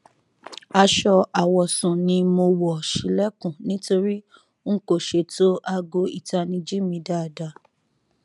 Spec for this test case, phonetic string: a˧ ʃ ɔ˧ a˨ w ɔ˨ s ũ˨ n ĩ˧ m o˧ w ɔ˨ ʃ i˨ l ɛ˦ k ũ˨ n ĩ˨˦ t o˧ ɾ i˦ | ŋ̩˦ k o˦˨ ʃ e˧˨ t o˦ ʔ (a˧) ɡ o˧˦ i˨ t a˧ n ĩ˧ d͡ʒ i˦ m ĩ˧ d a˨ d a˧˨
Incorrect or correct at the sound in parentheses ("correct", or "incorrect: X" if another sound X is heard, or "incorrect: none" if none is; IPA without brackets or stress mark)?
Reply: correct